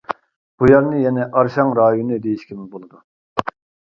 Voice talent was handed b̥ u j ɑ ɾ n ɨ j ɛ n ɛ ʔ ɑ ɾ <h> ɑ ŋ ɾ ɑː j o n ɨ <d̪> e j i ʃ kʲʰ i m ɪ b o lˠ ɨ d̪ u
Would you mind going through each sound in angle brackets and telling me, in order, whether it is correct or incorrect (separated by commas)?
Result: incorrect, correct